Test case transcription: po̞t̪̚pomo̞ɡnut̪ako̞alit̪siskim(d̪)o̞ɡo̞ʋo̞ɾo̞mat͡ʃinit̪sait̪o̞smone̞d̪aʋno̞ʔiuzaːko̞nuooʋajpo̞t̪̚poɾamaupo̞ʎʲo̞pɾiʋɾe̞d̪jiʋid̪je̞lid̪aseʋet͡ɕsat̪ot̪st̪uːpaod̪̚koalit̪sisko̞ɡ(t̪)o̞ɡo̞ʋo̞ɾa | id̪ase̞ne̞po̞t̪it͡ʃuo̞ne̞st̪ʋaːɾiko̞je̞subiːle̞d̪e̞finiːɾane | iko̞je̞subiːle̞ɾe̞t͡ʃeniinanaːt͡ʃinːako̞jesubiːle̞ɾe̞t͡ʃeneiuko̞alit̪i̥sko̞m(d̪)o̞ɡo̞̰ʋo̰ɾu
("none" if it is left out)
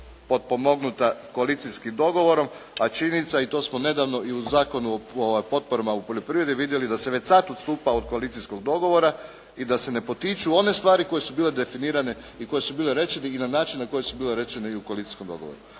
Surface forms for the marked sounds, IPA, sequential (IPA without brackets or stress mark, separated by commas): d̪, d̪, d̪